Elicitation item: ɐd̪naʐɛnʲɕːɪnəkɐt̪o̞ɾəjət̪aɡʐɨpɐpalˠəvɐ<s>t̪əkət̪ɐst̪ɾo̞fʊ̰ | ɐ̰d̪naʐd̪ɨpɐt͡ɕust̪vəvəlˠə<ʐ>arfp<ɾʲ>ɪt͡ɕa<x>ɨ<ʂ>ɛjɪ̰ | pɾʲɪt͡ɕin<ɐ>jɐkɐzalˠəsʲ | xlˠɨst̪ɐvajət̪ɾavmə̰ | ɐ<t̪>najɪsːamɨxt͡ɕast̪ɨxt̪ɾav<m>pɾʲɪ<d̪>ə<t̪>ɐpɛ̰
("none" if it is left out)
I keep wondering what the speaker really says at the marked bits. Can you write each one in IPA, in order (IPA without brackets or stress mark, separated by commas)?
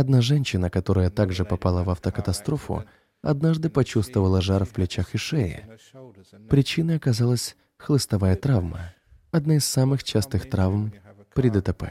f, ʐ, lʲ, x, ʂ, ə, d̪, m, d̪, t̪